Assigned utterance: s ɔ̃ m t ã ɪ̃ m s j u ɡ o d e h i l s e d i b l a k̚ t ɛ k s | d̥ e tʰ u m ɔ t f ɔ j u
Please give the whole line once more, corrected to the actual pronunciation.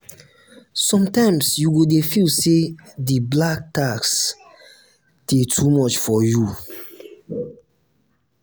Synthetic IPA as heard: s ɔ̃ m t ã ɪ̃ m s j u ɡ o d e f i l s e d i b l a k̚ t a k s | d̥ e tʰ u m ɔ t͡ʃ f ɔ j u

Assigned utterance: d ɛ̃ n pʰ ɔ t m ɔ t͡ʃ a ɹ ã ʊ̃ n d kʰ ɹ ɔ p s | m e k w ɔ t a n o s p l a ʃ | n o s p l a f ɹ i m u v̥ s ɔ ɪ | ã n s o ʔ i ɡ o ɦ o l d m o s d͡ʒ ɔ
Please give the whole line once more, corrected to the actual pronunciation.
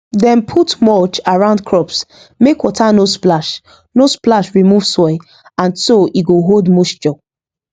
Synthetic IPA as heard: d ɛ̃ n pʰ u t m ɔ t͡ʃ a ɹ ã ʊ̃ n d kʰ ɹ ɔ p s | m e k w ɔ t a n o s p l a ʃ | n o s p l a ʃ ɹ i m u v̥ s ɔ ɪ | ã n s o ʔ i ɡ o ɦ o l d m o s d͡ʒ ɔ

